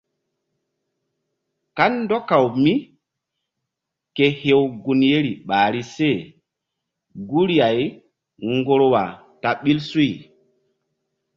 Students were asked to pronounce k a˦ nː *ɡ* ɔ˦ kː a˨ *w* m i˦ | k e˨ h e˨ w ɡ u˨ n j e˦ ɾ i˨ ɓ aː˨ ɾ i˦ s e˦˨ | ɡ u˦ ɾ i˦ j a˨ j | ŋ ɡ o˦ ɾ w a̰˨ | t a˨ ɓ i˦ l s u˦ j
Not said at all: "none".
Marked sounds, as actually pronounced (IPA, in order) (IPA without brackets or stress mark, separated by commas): d, w